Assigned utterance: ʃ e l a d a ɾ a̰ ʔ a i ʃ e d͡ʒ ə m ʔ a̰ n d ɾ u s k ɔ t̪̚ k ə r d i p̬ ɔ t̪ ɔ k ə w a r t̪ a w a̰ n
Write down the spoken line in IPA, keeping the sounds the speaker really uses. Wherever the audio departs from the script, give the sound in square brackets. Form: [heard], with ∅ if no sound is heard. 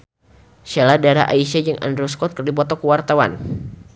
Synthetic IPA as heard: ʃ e l a d a ɾ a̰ ʔ a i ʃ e d͡ʒ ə [ŋ] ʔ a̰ n d ɾ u s k ɔ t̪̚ k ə r d i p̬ ɔ t̪ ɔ k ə w a r t̪ a w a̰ n